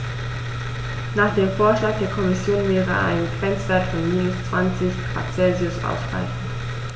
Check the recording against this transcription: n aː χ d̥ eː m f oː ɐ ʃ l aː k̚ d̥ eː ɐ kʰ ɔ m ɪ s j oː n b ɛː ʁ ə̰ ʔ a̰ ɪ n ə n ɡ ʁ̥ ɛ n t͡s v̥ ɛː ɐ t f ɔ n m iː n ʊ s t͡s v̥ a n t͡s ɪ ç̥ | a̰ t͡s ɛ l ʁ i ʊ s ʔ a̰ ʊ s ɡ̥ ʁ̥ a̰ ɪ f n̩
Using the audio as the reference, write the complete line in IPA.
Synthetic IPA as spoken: n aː χ d̥ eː m f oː ɐ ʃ l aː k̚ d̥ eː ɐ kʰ ɔ m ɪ s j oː n v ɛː ʁ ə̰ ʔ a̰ ɪ n ə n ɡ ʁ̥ ɛ n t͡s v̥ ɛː ɐ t f ɔ n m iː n ʊ s t͡s v̥ a n t͡s ɪ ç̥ | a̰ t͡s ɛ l z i ʊ s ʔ a̰ ʊ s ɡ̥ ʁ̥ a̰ ɪ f n̩

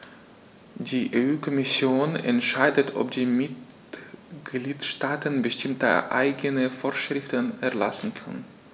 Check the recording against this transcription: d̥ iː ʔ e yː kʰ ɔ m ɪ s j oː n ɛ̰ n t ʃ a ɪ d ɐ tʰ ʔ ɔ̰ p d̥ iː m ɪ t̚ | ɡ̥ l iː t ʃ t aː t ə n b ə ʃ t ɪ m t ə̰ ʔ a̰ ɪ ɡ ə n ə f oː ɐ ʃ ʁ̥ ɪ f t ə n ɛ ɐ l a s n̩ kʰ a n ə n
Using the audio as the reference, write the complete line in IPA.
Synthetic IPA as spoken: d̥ iː ʔ e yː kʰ ɔ m ɪ s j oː n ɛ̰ n t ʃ a ɪ d ə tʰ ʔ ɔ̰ p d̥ iː m ɪ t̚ | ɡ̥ l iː t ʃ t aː t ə n b ə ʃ t ɪ m t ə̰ ʔ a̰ ɪ ɡ ə n ə f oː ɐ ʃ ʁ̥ ɪ f t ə n ɛ ɐ l a s n̩ kʰ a n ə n

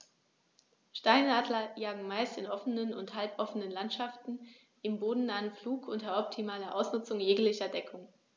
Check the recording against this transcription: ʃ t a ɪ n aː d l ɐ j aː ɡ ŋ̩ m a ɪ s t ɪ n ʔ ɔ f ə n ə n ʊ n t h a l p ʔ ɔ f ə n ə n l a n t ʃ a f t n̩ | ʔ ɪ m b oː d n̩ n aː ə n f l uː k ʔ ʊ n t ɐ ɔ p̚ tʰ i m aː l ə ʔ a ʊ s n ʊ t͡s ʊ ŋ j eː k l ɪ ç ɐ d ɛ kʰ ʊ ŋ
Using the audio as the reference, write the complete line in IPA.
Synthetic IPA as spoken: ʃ t a ɪ n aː d l ɐ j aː ɡ ŋ̩ m a ɪ s t ɪ n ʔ ɔ f ə n ə n ʊ n t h a l p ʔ ɔ f ə n ə n l a n t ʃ a f t n̩ | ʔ ɪ m b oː d n̩ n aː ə n f l uː k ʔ ʊ n t ɐ ɔ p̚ tʰ i m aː l ɐ ʔ a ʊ s n ʊ t͡s ʊ ŋ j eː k l ɪ ç ɐ d ɛ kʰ ʊ ŋ

